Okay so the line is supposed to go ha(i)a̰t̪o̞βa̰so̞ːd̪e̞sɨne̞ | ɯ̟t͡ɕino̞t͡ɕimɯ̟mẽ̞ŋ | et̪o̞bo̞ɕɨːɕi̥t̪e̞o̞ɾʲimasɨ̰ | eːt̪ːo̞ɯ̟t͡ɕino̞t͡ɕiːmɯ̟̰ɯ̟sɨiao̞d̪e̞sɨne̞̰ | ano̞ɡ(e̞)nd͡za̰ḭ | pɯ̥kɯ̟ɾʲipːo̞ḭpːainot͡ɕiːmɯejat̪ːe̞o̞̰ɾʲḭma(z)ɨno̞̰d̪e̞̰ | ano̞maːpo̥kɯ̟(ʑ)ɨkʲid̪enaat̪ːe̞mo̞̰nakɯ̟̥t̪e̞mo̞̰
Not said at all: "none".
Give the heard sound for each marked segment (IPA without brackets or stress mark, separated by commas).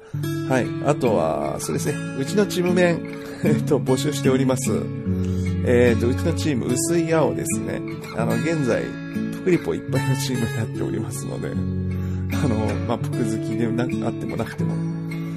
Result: i, ẽ̞, s, z